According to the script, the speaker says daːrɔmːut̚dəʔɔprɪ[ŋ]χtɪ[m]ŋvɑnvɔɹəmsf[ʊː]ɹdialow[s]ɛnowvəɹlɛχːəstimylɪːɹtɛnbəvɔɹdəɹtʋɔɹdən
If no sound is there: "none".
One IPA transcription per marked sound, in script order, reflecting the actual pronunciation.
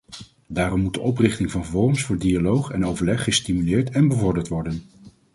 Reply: none, none, ʊː, χ

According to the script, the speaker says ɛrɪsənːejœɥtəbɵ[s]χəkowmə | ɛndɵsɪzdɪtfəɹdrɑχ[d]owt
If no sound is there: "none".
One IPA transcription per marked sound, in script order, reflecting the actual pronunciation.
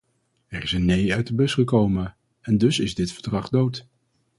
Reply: s, d

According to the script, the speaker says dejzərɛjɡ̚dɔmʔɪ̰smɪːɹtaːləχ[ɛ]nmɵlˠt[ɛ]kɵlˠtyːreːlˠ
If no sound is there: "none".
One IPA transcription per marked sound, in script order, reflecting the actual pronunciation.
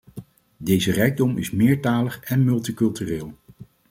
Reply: ɛ, i

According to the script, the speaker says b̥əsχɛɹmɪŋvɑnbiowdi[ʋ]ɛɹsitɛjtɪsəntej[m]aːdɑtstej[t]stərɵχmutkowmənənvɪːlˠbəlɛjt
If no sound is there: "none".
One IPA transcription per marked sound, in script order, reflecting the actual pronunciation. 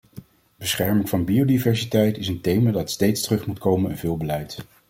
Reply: v, m, t

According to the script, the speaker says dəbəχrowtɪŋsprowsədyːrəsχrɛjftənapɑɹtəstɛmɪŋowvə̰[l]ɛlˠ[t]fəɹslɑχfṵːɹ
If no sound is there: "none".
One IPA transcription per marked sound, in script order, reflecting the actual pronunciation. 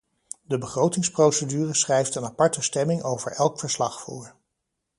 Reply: ɹ, k

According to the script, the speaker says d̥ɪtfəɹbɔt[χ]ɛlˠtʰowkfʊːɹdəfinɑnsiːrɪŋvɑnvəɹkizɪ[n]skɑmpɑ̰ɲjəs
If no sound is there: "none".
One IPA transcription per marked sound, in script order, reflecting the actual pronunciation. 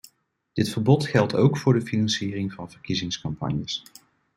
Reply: χ, ŋ

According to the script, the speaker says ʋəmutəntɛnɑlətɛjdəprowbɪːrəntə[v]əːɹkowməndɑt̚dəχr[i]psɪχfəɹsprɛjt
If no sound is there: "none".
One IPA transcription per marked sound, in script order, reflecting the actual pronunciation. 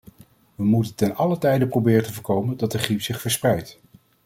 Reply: v, i

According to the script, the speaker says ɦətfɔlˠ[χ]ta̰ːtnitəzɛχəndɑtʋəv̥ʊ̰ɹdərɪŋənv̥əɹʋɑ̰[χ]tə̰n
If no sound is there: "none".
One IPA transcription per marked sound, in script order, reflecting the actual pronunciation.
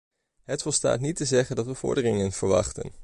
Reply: s, χ

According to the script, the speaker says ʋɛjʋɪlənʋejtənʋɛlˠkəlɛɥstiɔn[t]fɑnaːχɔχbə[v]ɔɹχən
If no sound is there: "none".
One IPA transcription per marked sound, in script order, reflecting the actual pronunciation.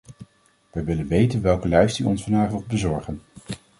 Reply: s, z

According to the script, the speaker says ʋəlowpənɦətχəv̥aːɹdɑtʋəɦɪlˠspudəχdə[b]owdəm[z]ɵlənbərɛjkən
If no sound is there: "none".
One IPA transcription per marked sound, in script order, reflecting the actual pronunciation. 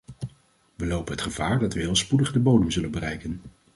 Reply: b, z

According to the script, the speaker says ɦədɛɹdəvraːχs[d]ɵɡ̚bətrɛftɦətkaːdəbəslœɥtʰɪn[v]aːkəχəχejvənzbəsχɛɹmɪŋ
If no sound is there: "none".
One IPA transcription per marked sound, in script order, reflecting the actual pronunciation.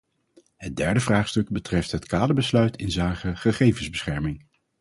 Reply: t, z

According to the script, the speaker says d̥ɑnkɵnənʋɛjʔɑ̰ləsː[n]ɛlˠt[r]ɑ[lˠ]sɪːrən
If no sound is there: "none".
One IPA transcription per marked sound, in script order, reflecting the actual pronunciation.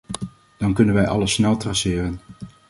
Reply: n, r, none

